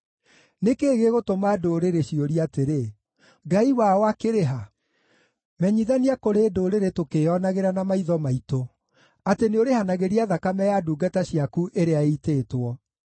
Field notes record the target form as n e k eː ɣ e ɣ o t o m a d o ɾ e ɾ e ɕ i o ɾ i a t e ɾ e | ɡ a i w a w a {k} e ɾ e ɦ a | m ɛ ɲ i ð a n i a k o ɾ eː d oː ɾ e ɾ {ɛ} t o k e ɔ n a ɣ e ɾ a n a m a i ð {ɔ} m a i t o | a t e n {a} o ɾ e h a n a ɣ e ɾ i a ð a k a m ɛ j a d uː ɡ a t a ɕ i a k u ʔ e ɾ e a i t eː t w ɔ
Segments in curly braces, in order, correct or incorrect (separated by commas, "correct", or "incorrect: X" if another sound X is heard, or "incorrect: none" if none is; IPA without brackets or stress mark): correct, incorrect: e, correct, incorrect: e